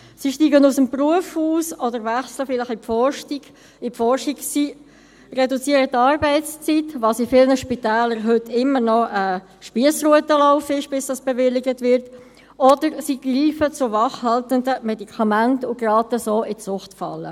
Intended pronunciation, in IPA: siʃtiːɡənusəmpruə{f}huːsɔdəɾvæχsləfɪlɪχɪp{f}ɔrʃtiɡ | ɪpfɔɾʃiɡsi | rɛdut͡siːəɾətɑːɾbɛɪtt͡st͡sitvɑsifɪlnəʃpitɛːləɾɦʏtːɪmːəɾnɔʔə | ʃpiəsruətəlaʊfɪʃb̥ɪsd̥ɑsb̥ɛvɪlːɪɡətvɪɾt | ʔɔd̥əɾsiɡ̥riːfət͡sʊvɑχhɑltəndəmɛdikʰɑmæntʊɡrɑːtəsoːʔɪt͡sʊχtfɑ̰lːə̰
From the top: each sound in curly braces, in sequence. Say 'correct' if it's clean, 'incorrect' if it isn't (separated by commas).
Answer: correct, correct